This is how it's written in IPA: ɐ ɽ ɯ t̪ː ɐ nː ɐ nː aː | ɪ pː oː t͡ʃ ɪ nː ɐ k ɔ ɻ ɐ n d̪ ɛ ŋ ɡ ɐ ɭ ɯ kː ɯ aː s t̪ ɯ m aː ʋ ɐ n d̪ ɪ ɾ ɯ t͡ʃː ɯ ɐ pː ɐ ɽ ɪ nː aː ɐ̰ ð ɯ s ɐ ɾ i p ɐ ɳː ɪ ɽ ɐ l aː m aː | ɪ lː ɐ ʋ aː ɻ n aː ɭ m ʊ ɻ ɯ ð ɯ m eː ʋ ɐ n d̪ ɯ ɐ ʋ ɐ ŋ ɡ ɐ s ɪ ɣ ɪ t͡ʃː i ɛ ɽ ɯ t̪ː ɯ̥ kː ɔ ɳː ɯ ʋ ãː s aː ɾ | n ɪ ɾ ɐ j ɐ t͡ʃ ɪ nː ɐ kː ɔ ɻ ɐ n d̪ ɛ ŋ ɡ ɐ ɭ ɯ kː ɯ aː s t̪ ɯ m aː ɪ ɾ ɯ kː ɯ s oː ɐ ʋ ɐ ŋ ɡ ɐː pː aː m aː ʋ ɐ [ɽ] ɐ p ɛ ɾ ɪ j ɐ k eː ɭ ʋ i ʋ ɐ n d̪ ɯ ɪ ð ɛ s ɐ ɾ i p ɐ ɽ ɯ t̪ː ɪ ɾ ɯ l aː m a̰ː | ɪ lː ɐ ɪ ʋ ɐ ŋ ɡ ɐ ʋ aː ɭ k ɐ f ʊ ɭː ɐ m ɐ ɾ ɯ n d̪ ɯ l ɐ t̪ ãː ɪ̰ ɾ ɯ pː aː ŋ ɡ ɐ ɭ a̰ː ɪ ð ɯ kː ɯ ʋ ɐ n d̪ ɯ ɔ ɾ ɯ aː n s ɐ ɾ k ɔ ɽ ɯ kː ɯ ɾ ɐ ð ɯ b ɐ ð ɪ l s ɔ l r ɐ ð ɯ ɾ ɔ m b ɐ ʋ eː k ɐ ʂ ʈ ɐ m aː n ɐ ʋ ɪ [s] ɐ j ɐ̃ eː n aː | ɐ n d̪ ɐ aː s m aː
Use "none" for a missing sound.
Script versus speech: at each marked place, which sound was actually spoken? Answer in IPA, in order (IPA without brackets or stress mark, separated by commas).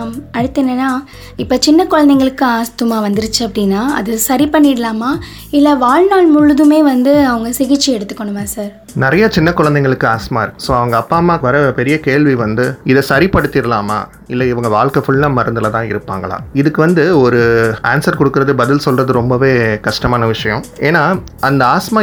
ɾ, ʂ